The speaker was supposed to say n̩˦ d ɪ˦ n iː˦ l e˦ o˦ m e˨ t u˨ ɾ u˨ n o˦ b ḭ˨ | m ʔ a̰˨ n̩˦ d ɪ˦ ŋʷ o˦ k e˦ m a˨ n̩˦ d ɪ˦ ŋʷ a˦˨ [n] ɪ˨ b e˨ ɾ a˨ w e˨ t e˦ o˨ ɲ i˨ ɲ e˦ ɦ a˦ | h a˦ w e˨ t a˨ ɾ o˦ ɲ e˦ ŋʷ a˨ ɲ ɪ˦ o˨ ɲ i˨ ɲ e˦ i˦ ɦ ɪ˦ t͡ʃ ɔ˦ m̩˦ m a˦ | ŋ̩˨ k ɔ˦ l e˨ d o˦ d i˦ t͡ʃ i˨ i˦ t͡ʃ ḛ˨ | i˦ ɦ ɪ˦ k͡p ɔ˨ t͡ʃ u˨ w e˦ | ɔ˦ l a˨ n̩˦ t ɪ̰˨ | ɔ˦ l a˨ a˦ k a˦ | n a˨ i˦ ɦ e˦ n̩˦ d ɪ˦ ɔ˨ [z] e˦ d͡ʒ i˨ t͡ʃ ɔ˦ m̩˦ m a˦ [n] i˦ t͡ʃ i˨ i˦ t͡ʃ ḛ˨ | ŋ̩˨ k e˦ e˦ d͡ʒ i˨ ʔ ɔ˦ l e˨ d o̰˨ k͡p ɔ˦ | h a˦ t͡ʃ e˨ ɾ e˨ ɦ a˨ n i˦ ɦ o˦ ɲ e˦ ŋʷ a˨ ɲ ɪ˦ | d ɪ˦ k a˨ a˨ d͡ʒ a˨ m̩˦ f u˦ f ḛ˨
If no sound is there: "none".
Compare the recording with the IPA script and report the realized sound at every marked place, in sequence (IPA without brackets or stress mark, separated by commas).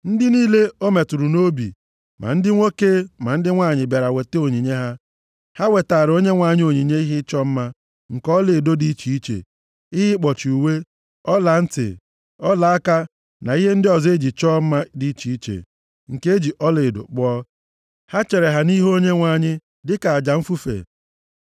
ɲ, z, d